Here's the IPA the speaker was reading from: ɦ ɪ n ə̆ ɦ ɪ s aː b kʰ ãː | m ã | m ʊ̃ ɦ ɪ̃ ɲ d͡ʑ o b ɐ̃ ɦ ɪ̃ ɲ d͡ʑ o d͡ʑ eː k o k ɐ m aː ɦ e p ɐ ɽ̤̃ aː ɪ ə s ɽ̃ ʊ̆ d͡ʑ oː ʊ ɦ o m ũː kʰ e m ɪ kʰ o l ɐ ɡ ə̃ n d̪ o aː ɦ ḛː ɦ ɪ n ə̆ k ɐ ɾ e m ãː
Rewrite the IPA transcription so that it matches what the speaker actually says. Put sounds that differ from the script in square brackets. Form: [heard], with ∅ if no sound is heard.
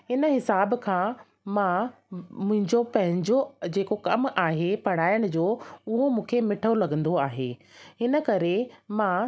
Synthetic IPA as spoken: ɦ ɪ n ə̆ ɦ ɪ s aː b kʰ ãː | m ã | m ʊ̃ ɦ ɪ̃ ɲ d͡ʑ o [p] ɐ̃ ɦ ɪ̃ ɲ d͡ʑ o d͡ʑ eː k o k ɐ m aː ɦ e p ɐ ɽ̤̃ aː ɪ ə [∅] ɽ̃ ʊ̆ d͡ʑ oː ʊ ɦ o m ũː kʰ e m ɪ [ʈʰ] o l ɐ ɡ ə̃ n d̪ o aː ɦ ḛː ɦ ɪ n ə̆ k ɐ ɾ e m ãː

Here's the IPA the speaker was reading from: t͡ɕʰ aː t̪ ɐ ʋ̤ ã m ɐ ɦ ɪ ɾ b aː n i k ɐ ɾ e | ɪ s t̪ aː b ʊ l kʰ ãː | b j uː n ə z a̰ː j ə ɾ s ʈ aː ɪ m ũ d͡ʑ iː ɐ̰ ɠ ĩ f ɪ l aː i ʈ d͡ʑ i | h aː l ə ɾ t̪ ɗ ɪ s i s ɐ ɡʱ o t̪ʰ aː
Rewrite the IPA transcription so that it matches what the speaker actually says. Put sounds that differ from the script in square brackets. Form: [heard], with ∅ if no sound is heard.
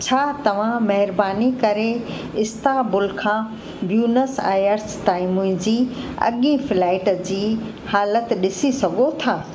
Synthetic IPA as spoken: t͡ɕʰ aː t̪ ɐ ʋ̤ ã m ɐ ɦ ɪ ɾ b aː n i k ɐ ɾ e | ɪ s t̪ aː b ʊ l kʰ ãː | b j uː n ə [s] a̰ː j ə ɾ s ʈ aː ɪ m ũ d͡ʑ iː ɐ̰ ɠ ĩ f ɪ l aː [ɪ] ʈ d͡ʑ [iː] | h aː l ə [∅] t̪ ɗ ɪ s i s ɐ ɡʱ o t̪ʰ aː

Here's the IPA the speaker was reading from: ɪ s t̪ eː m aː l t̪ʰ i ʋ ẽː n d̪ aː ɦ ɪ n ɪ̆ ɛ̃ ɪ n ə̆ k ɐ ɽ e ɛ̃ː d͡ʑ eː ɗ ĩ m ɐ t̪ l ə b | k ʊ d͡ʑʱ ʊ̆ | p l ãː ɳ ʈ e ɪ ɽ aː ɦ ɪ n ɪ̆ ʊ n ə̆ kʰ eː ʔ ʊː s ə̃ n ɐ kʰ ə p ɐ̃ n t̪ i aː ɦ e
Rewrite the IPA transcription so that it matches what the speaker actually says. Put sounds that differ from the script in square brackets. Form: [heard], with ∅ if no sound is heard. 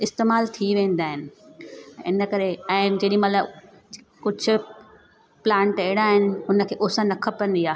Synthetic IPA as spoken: ɪ s t̪ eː m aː l t̪ʰ i ʋ ẽː n d̪ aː ɦ ɪ n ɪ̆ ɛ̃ ɪ n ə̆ k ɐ [ɾ] e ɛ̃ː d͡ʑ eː ɗ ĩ m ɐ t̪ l ə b | k ʊ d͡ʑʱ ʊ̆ | p l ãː ɳ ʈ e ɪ ɽ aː ɦ ɪ n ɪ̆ ʊ n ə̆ kʰ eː ʔ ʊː s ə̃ n ɐ kʰ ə p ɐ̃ n [d̪] i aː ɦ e

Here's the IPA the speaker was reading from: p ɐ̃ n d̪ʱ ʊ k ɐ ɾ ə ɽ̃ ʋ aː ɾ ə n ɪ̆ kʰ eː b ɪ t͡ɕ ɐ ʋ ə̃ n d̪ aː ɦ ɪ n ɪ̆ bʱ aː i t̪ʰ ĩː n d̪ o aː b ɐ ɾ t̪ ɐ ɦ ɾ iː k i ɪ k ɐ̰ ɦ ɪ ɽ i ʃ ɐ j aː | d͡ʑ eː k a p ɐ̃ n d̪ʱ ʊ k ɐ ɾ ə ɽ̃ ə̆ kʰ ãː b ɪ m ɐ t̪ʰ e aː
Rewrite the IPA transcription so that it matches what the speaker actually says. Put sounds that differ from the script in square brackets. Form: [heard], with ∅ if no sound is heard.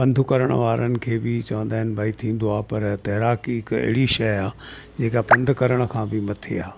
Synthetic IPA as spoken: p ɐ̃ n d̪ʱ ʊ k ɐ ɾ ə ɽ̃ ʋ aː ɾ ə n ɪ̆ kʰ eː b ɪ t͡ɕ ɐ ʋ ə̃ n d̪ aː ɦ ɪ n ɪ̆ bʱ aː i t̪ʰ ĩː n d̪ o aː [p] ɐ ɾ t̪ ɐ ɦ ɾ [aː] k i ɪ k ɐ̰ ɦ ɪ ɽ i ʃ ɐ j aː | d͡ʑ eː k a p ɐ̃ n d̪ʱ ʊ k ɐ ɾ ə ɽ̃ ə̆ kʰ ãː b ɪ m ɐ t̪ʰ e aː

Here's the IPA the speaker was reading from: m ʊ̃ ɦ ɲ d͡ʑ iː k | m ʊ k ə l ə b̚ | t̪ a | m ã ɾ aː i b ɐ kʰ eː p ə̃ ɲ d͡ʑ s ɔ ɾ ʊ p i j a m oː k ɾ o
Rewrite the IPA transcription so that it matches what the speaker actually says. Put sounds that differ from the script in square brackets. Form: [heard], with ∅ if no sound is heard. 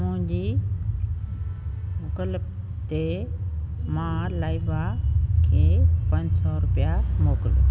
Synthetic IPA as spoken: m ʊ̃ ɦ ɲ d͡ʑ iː [∅] | m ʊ k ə l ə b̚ | t̪ [e] | m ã [l] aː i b [a] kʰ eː p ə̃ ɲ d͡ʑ s ɔ ɾ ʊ p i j a m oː k [l] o

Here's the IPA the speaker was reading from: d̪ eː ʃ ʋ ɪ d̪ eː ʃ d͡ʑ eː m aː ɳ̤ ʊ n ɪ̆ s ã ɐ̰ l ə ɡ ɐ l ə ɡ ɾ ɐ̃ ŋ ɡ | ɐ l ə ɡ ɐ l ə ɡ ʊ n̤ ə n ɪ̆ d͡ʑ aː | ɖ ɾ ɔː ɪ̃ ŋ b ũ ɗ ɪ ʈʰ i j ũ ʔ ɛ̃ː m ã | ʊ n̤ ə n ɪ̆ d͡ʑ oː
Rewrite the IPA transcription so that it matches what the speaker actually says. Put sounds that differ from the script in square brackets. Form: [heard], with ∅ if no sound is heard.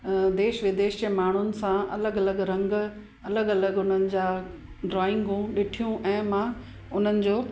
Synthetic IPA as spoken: d̪ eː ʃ ʋ ɪ d̪ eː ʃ d͡ʑ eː m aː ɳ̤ ʊ n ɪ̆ s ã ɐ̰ l ə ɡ ɐ l ə ɡ ɾ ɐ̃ ŋ ɡ | ɐ l ə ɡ ɐ l ə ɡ ʊ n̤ ə n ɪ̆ d͡ʑ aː | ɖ ɾ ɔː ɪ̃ ŋ [ɡ] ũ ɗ ɪ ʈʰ i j ũ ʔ ɛ̃ː m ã | ʊ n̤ ə n ɪ̆ d͡ʑ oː

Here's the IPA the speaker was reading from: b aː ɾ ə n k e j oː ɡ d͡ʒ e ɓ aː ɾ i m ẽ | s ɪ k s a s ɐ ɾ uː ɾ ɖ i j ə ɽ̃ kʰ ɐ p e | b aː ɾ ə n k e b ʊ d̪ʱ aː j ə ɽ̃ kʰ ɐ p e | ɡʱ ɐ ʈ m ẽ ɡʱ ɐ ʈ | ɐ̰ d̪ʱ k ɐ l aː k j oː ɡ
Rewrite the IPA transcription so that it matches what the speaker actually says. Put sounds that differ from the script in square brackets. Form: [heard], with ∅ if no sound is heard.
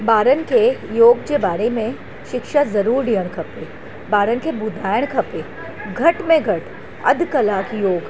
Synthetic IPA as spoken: b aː ɾ ə n k e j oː ɡ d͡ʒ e [b] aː ɾ [e] m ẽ | [ʃ] ɪ k [ʃ] a [z] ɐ ɾ uː ɾ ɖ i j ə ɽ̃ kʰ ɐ p e | b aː ɾ ə n k e b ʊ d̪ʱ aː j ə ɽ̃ kʰ ɐ p e | ɡʱ ɐ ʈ m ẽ ɡʱ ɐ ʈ | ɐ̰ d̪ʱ k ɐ l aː k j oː ɡ

